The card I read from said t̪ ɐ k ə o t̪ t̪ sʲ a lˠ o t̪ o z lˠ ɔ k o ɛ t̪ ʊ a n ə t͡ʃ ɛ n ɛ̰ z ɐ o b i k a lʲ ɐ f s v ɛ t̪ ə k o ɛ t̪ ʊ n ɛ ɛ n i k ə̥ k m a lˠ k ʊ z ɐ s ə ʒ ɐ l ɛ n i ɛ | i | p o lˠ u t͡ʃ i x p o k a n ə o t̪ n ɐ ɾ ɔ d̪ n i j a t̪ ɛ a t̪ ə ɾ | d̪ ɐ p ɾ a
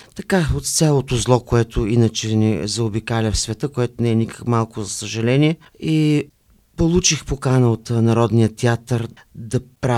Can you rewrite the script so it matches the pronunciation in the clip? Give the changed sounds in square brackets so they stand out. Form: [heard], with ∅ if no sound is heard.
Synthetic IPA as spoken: t̪ ɐ k [a] o t̪ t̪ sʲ a lˠ o t̪ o z lˠ ɔ k o ɛ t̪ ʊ [i] n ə t͡ʃ ɛ n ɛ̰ z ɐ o b i k a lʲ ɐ f s v ɛ t̪ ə k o ɛ t̪ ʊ n ɛ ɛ n i k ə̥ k m a lˠ k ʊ z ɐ s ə ʒ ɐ l ɛ n i ɛ | i | p o lˠ u t͡ʃ i x p o k a n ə o t̪ n ɐ ɾ ɔ d̪ n i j [ə] t̪ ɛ a t̪ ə ɾ | d̪ ɐ p ɾ a